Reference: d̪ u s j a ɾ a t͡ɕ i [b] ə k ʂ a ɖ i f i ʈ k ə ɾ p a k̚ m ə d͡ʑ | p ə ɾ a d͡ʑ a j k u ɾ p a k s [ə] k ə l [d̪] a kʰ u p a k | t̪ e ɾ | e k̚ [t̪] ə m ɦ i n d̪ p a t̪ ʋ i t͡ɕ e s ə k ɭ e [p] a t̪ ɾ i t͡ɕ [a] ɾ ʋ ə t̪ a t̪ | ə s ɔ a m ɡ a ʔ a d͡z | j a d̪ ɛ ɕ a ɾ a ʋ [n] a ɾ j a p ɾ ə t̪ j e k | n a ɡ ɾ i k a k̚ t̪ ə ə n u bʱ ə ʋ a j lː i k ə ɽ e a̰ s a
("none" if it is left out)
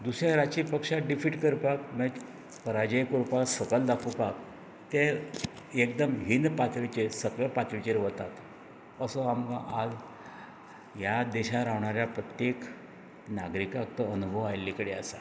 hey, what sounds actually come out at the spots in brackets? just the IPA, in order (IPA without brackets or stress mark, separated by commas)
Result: p, ə, d̪, d̪, p, e, ɳ